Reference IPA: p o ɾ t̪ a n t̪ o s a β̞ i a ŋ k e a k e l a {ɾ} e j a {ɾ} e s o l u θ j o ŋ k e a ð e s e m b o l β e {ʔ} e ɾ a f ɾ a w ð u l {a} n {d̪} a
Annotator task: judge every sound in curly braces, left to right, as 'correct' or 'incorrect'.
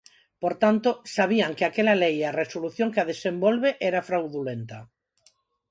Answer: incorrect: l, incorrect: r, correct, incorrect: e, incorrect: t̪

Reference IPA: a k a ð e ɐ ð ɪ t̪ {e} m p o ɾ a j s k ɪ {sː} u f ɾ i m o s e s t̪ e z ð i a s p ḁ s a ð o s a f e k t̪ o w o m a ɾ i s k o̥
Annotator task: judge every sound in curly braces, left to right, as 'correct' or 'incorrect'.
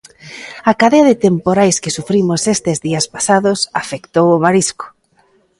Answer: correct, incorrect: s

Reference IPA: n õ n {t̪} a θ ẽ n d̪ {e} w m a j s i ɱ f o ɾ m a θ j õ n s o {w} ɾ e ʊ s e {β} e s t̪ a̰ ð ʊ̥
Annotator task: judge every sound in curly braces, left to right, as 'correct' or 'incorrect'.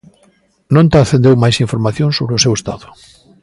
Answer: correct, correct, incorrect: β, incorrect: w

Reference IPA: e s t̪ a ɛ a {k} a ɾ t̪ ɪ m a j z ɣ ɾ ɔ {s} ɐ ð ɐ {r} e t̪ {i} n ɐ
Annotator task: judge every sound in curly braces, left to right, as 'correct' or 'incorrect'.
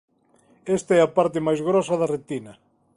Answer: incorrect: p, correct, correct, correct

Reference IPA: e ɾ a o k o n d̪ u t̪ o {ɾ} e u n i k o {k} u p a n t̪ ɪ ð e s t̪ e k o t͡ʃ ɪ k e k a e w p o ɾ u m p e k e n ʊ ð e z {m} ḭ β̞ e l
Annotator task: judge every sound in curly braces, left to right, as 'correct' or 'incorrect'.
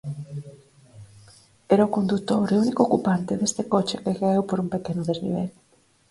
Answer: correct, correct, incorrect: n

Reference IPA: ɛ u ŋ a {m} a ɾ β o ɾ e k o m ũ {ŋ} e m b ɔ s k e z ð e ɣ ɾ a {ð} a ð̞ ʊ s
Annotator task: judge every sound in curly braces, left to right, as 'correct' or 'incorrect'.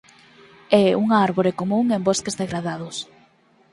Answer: incorrect: none, correct, correct

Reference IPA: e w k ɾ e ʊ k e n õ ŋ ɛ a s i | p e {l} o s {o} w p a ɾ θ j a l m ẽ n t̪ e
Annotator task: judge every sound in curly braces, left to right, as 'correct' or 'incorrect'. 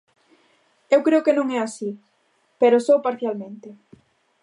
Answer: incorrect: ɾ, correct

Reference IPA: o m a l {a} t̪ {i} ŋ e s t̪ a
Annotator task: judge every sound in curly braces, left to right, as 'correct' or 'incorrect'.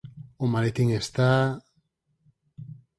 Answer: incorrect: e, correct

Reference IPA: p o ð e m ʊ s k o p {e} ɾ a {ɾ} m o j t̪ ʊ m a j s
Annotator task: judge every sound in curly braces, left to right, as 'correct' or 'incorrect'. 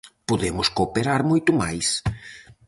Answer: correct, correct

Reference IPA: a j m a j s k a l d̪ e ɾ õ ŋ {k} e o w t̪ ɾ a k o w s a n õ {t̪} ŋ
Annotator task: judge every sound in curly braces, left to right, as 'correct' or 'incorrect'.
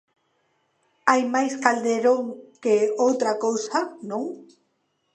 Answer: correct, incorrect: none

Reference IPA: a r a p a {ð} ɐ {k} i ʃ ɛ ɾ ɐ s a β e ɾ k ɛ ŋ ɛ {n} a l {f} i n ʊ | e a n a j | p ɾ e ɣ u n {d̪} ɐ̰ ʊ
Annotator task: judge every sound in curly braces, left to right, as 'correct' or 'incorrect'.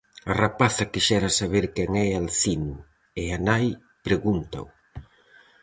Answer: incorrect: θ, correct, incorrect: none, incorrect: θ, incorrect: t̪

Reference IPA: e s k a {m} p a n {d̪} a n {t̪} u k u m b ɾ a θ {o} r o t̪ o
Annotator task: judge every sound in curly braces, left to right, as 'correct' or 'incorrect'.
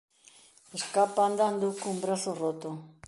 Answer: incorrect: none, correct, incorrect: d̪, correct

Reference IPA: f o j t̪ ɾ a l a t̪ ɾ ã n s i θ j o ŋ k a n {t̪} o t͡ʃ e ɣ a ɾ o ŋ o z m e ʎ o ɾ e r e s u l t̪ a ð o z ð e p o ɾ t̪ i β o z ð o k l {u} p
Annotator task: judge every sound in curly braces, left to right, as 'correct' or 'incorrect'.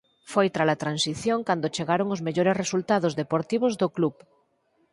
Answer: incorrect: d̪, correct

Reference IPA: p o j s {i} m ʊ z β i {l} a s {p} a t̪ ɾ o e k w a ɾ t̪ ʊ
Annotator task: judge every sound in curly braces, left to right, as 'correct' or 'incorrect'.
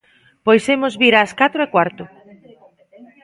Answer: incorrect: e, incorrect: ɾ, incorrect: k

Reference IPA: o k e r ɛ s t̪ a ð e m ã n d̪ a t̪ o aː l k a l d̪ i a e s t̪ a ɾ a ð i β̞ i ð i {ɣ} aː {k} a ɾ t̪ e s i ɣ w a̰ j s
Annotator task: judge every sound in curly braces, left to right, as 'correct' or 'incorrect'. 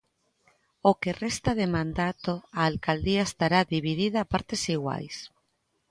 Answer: incorrect: ð, incorrect: p

